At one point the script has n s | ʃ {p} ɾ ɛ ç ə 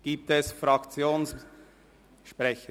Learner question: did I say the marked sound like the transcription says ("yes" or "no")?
yes